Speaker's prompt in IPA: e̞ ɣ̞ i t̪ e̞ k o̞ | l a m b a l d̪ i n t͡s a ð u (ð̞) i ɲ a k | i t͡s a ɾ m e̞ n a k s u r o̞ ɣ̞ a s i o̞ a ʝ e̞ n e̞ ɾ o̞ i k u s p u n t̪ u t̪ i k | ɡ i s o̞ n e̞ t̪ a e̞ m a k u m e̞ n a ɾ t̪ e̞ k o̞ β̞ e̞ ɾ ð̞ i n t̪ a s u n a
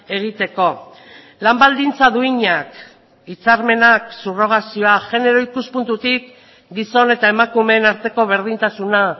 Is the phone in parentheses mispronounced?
yes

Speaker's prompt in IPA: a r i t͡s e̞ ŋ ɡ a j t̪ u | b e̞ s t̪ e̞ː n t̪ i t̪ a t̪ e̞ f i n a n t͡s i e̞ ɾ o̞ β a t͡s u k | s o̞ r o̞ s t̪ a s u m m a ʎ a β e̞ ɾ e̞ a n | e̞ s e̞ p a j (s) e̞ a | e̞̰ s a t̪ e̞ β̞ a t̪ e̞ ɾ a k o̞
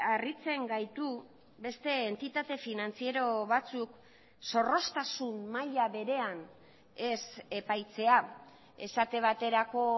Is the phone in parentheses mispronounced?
yes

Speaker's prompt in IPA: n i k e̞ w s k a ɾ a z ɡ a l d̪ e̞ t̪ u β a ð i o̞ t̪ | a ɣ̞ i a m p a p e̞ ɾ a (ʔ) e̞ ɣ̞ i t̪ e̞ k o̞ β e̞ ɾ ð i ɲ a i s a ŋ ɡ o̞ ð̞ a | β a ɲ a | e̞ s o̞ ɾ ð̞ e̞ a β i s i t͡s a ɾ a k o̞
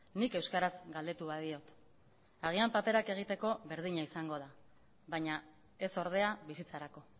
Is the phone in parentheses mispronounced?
yes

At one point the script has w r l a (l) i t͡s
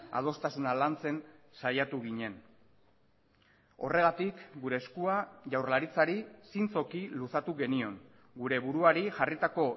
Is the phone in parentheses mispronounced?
yes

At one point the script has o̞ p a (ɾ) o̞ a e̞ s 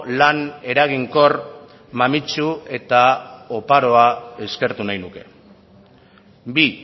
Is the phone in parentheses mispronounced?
no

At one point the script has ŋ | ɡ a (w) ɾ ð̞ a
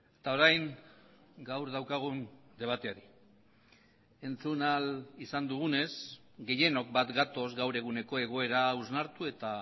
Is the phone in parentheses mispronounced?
no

